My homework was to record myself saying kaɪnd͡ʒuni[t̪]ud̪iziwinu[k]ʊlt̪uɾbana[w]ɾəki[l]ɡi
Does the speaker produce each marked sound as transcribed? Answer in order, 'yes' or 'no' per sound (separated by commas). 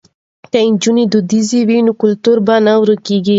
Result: no, yes, yes, no